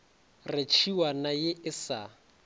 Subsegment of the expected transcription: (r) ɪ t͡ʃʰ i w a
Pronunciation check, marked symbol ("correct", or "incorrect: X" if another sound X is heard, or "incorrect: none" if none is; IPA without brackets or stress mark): correct